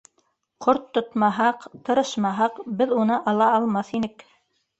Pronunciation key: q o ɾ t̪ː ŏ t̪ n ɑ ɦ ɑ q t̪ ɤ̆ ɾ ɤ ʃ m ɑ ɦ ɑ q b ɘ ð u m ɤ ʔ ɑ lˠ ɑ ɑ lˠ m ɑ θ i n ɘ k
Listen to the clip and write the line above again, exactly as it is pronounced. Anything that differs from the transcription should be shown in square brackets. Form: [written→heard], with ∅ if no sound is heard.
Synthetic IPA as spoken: q o ɾ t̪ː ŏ t̪ [n→m] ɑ ɦ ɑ q t̪ ɤ̆ ɾ ɤ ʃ m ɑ ɦ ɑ q b ɘ ð u [m→n] ɤ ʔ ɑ lˠ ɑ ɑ lˠ m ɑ θ i n ɘ k